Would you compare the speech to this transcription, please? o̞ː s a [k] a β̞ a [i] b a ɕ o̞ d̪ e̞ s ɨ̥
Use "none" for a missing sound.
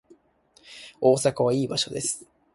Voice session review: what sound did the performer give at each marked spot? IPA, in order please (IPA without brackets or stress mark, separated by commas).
k, iː